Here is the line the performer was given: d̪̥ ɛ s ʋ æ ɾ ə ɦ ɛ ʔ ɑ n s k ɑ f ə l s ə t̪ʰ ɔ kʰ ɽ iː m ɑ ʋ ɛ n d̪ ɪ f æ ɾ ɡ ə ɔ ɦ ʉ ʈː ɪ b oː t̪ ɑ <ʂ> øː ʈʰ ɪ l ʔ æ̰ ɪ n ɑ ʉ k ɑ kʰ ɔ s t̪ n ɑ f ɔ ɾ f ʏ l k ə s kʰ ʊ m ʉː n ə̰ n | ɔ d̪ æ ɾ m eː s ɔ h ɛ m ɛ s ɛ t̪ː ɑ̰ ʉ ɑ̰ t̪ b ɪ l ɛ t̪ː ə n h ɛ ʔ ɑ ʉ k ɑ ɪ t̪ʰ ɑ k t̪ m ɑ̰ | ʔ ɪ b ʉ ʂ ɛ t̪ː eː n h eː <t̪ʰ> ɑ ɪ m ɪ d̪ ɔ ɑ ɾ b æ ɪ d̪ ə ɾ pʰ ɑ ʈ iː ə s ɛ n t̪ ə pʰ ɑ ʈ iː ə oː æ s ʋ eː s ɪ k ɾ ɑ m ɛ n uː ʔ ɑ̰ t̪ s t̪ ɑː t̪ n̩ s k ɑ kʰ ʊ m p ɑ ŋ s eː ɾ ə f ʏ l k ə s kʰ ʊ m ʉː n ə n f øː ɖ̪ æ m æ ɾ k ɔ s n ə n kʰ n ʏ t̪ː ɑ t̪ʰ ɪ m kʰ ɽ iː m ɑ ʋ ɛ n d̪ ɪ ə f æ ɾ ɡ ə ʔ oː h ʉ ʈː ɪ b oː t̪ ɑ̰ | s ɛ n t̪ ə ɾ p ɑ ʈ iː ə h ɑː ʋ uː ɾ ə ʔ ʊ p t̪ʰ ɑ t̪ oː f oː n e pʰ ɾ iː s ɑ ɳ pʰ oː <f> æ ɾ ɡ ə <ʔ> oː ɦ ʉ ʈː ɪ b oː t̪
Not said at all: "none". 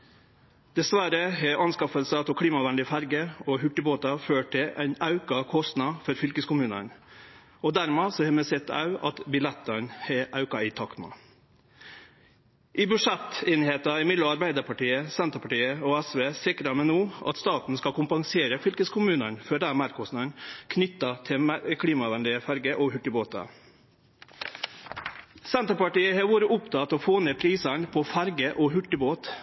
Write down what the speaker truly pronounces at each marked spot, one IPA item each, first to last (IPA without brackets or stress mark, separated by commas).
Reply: f, t̪, f, ʔ